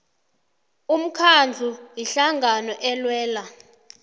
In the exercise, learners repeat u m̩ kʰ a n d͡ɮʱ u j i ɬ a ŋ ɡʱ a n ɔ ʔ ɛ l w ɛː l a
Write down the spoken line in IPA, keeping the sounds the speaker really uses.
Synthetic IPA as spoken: u m̩ kʰ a n d͡ɮʱ u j i ɬ a ŋ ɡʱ a n ɔ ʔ ɛ l w ɛː l a